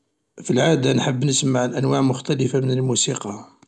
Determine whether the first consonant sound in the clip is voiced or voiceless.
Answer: voiceless